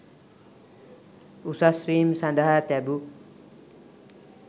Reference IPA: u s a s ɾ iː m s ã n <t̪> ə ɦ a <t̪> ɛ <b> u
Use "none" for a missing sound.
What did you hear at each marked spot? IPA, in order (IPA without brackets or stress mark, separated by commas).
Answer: d̪, t̪, b